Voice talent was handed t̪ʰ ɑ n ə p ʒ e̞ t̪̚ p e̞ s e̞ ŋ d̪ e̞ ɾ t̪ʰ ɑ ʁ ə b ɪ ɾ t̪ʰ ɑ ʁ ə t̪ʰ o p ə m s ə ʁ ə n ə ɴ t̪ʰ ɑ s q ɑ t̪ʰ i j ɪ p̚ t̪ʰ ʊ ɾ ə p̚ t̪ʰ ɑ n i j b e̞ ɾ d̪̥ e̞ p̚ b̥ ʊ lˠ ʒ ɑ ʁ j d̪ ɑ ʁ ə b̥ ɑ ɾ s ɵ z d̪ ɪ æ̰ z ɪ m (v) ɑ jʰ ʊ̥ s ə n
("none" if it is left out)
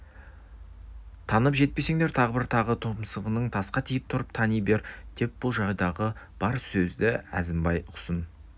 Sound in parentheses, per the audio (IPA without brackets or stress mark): b